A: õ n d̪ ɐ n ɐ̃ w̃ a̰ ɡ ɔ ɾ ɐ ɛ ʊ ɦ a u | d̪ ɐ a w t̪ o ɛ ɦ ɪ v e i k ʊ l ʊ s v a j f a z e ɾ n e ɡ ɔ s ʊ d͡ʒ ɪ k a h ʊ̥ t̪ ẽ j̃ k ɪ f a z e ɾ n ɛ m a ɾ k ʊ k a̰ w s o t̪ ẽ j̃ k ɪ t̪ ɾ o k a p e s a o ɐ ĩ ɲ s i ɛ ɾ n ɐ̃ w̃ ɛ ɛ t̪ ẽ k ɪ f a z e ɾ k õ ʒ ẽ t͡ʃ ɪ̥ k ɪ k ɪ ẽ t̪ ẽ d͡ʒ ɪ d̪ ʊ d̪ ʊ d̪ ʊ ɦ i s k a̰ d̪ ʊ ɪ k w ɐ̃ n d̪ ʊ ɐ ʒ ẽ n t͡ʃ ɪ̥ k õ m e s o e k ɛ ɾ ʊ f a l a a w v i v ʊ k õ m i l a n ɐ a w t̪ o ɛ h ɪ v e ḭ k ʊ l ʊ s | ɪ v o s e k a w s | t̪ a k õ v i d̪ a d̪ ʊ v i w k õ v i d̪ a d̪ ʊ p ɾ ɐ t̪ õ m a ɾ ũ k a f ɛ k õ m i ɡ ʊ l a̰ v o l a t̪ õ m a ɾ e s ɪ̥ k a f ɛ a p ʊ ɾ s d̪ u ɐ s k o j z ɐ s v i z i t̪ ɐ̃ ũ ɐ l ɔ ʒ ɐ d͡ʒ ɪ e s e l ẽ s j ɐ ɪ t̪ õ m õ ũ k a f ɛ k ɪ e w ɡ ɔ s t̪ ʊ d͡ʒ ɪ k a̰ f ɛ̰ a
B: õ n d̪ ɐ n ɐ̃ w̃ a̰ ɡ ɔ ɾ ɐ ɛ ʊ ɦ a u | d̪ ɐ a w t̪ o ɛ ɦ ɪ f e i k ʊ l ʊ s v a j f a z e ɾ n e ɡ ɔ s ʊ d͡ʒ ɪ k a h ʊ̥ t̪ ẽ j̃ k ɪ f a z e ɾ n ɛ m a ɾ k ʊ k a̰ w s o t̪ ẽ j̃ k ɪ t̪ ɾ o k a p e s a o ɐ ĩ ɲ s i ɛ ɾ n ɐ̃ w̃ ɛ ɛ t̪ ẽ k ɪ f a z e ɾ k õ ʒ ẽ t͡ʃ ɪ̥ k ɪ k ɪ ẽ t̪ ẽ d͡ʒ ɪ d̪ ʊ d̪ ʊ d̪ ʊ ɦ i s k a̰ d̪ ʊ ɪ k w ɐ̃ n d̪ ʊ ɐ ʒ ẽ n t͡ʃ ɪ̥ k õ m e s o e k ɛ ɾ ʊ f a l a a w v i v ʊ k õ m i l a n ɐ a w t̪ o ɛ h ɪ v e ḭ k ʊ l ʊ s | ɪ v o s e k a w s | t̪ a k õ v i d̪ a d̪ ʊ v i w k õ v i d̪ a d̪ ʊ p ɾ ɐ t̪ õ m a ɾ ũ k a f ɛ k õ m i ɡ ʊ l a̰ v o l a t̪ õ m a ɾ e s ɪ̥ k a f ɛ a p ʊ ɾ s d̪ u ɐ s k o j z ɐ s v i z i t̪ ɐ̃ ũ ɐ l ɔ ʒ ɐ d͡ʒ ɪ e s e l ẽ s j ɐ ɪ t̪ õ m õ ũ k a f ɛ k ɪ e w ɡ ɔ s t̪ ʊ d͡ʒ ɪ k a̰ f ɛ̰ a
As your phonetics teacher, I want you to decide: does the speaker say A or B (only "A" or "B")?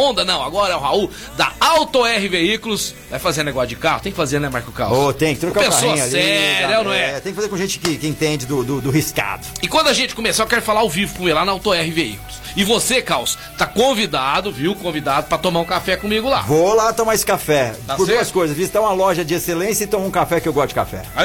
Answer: A